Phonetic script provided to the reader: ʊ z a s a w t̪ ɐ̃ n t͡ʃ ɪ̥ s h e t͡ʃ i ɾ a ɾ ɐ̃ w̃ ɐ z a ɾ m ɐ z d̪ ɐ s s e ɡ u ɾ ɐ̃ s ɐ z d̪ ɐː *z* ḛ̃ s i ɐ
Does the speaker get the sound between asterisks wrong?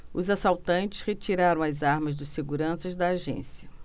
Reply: yes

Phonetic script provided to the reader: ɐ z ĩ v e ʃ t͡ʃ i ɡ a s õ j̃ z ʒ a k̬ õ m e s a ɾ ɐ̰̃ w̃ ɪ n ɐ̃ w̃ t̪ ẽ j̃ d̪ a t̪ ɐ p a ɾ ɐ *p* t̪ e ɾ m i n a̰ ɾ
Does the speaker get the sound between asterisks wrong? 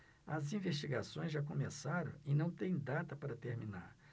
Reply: yes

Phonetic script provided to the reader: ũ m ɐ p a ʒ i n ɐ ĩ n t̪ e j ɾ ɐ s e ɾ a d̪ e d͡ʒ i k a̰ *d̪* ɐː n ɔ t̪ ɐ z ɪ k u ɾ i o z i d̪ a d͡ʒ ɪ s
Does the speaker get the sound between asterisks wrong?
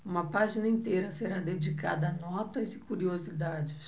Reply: no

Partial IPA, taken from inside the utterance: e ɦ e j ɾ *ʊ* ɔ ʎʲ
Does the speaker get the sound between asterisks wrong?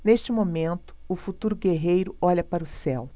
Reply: no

